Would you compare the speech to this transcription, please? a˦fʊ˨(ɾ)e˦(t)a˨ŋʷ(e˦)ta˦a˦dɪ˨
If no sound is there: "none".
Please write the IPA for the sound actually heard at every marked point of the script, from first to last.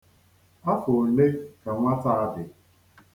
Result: l, k, a˦

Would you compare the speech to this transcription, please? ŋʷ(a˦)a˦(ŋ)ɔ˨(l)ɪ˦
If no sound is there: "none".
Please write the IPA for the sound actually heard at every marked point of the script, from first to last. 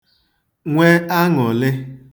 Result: e˦, ŋ, l

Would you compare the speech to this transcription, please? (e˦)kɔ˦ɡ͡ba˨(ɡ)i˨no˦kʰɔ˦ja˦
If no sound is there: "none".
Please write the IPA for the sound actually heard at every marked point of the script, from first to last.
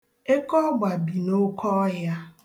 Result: e˦, b

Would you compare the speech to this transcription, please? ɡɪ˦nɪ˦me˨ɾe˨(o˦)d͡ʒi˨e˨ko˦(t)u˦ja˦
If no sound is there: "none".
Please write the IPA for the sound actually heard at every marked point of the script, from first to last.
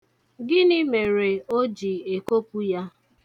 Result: o˦, p

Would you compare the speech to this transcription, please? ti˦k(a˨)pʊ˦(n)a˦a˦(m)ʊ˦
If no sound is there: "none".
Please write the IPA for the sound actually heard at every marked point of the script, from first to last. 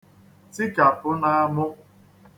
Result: a˨, n, m

